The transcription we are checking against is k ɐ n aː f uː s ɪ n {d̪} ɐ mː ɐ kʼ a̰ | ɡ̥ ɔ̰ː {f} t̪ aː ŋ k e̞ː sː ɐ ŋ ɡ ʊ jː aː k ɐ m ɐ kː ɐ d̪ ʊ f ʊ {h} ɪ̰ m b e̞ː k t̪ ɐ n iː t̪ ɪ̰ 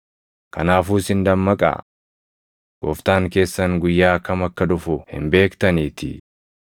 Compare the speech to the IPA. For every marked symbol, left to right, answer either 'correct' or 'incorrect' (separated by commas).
correct, correct, correct